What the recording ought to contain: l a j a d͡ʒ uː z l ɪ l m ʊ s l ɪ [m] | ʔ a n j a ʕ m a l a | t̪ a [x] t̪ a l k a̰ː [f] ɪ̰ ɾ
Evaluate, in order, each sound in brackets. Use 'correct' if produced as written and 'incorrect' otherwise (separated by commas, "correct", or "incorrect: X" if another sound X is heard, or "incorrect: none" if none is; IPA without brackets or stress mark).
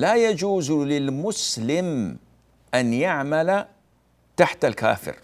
correct, incorrect: ħ, correct